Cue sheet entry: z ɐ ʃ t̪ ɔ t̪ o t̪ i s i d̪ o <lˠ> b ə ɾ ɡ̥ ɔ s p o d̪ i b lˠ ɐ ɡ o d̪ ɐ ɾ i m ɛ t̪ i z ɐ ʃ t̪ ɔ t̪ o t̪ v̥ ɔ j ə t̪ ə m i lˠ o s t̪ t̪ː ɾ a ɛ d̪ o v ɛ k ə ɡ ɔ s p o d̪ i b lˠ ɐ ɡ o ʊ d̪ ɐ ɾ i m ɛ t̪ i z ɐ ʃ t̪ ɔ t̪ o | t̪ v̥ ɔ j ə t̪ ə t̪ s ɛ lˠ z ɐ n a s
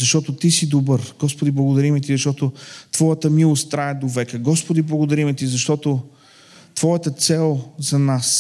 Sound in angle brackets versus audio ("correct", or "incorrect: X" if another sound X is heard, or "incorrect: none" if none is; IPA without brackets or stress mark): incorrect: none